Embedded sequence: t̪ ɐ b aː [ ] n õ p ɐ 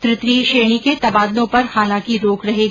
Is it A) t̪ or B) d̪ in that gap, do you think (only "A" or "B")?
B